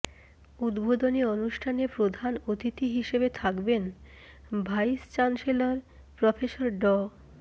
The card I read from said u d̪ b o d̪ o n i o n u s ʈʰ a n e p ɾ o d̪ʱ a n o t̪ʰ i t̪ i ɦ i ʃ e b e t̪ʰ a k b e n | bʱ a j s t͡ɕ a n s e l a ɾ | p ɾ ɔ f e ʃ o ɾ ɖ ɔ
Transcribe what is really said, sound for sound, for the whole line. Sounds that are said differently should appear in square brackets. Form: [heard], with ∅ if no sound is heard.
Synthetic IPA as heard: u d̪ b o d̪ o n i o n u [ʃ] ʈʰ a n e p ɾ o d̪ʱ a n o [t̪] i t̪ i ɦ i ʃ e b e t̪ʰ a k b e n | bʱ a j s t͡ɕ a n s e l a ɾ | p ɾ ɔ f e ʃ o ɾ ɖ ɔ

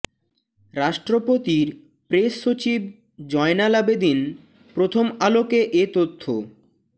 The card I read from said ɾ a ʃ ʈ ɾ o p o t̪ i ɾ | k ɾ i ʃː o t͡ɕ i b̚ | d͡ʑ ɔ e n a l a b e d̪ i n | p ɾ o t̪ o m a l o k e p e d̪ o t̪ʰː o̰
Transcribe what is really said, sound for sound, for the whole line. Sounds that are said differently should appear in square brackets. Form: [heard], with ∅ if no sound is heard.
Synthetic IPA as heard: ɾ a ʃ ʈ ɾ o p o t̪ i ɾ | [p] ɾ [e] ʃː o t͡ɕ i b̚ | d͡ʑ ɔ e n a l a b e d̪ i n | p ɾ o [t̪ʰ] o m a l o k e [ʔ] e [t̪] o t̪ʰː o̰

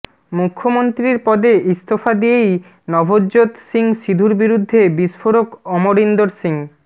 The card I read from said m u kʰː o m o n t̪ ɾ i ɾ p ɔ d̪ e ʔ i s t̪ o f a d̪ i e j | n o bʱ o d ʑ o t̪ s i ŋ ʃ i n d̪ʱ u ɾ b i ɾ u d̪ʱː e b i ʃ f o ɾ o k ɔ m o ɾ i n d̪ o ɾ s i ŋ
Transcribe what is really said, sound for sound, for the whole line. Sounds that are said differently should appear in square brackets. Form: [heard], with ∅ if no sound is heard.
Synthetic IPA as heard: m u kʰː o m o n t̪ ɾ i ɾ p ɔ d̪ e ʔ i s t̪ o f a d̪ i e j | n [ɔ] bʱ o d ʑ o t̪ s i ŋ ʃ i [∅] d̪ʱ u ɾ b i ɾ u d̪ʱː e b i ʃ f o ɾ o k ɔ m o ɾ i n d̪ o ɾ s i ŋ

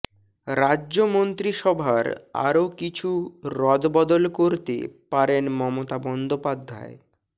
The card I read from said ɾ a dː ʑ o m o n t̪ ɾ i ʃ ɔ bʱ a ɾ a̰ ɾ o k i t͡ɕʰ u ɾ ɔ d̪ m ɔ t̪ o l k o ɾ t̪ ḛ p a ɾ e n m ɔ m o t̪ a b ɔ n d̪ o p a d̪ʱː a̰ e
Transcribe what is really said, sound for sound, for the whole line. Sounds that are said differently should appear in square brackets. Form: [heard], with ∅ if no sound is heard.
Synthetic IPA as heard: ɾ a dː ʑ o m o n t̪ ɾ i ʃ ɔ bʱ a ɾ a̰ ɾ o k i t͡ɕʰ u ɾ ɔ d̪ [b] ɔ [d̪] o l k o ɾ t̪ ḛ p a ɾ e n m ɔ m o t̪ a b ɔ n d̪ o p a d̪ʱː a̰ e

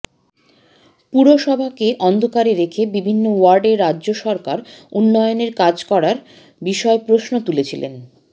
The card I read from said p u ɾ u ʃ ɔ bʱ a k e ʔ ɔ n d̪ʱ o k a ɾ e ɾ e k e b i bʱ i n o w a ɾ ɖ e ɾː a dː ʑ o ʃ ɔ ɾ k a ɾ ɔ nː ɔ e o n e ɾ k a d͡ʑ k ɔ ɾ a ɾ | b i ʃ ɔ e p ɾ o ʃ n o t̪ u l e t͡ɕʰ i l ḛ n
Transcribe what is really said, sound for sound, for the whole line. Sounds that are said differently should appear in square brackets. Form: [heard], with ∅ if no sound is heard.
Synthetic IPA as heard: p u ɾ [o] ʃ ɔ bʱ a k e ʔ ɔ n d̪ʱ o k a ɾ e ɾ e [kʰ] e b i bʱ i [nː] o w a ɾ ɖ e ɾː a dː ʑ o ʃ ɔ ɾ k a ɾ [u] nː ɔ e o n e ɾ k a d͡ʑ k ɔ ɾ a ɾ | b i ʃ ɔ e p ɾ o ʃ n o t̪ u l e t͡ɕʰ i l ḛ n

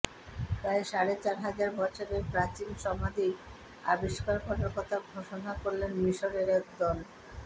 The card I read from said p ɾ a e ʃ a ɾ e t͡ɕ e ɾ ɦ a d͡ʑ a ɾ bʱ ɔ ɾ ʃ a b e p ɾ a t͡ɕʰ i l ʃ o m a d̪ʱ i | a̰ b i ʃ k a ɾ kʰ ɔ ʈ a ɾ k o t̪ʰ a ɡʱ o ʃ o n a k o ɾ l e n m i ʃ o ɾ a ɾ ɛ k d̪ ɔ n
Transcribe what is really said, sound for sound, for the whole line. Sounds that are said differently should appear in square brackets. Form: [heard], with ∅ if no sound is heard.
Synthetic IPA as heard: p ɾ a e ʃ a ɾ e t͡ɕ [a] ɾ ɦ a d͡ʑ a ɾ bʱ ɔ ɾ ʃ a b e p ɾ a [t͡ɕ] i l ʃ [ɔ] m a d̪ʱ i | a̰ b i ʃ k a ɾ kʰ ɔ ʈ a ɾ k [ɔ] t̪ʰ a ɡʱ o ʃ o n a k o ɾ l e n m i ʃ o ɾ [e] ɾ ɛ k d̪ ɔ n

